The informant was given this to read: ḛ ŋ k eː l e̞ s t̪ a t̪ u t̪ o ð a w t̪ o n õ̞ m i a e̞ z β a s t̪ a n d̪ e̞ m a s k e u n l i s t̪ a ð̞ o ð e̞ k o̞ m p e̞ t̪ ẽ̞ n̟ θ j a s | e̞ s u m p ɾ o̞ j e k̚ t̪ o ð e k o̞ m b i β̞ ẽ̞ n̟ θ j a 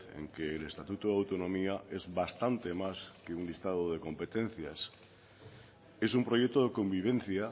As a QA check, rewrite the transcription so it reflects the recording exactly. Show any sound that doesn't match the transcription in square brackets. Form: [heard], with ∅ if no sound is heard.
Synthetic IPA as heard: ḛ ŋ k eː l e̞ s t̪ a t̪ u t̪ o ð a w t̪ o n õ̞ m i a e̞ z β a s t̪ a n [t̪] e̞ m a s k e u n l i s t̪ a ð̞ o ð e̞ k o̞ m p e̞ t̪ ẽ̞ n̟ θ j a s | e̞ s u m p ɾ o̞ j e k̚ t̪ o ð e k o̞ m b i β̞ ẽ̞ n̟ θ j a